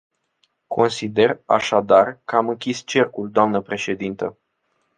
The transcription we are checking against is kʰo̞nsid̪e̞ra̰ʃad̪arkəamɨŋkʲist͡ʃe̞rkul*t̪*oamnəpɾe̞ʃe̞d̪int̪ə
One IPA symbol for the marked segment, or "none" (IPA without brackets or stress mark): d̪